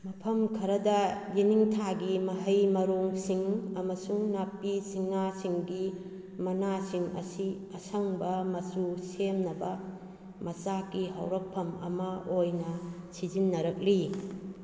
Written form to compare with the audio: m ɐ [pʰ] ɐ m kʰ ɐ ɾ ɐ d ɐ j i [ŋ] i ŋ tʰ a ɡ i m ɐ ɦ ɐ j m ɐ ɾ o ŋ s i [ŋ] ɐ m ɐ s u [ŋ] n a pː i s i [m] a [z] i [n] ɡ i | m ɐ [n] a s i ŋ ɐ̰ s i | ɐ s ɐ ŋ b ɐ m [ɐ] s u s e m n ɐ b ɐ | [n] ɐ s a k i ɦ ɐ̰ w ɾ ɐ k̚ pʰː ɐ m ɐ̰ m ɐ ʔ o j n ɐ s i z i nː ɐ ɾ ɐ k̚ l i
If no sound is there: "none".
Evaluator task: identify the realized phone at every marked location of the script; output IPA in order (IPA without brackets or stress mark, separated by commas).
pʰ, n, ŋ, ŋ, ŋ, s, ŋ, n, ɐ, m